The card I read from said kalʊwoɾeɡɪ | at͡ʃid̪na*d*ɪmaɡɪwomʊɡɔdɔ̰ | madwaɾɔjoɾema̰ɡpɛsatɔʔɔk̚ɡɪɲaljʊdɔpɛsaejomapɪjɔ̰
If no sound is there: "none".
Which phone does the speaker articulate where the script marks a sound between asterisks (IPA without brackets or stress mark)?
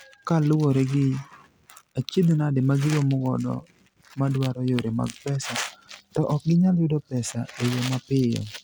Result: d